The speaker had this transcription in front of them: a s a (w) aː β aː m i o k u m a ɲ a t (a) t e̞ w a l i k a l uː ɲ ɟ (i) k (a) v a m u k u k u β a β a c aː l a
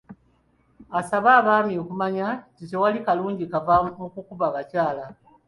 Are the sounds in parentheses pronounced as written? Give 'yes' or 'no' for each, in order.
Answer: no, no, yes, yes

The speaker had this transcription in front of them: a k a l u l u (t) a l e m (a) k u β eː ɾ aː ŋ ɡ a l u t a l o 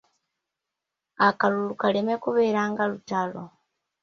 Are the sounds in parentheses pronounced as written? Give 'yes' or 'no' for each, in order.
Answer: no, no

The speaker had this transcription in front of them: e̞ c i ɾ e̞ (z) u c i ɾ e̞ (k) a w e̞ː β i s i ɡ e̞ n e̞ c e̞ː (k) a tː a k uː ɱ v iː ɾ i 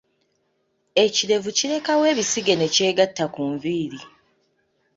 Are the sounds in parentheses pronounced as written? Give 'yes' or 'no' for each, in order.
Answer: no, yes, no

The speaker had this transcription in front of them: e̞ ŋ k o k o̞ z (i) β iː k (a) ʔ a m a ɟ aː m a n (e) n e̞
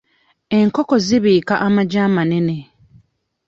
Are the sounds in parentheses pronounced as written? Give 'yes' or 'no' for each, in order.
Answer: yes, yes, yes

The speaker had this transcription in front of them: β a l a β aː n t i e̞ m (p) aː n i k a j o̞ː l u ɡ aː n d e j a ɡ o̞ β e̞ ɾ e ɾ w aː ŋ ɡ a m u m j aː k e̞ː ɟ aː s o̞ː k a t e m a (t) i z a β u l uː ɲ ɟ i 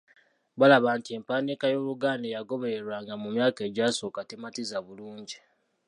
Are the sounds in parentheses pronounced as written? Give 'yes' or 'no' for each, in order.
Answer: yes, yes

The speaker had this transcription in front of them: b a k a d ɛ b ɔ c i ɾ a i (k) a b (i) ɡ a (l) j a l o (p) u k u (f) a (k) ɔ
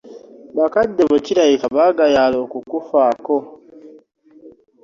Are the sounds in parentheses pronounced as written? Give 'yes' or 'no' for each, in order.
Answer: yes, no, no, no, yes, yes

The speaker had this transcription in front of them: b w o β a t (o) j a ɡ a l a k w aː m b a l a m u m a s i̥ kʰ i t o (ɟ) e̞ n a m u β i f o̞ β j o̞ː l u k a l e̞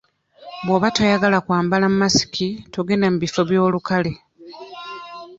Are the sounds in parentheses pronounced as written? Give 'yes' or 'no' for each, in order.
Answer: yes, no

